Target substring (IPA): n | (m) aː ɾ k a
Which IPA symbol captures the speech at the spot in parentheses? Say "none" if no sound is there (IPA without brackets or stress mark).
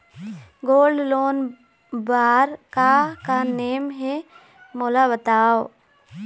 b